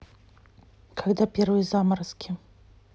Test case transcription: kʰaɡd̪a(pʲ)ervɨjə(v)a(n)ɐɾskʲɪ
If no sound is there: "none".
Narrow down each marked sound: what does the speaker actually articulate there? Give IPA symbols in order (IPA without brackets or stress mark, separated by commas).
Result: pʲ, z, m